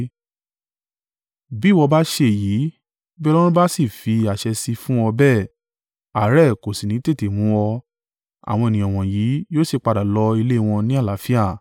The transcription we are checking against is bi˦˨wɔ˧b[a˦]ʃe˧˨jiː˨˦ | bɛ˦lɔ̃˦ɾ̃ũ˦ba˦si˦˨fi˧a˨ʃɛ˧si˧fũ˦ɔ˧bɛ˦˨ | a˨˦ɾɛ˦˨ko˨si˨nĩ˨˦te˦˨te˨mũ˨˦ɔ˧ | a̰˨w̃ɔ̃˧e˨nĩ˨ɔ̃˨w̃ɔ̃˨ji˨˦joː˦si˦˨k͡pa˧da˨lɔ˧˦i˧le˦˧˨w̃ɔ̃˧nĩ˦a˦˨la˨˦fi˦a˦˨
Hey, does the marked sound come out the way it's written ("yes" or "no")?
yes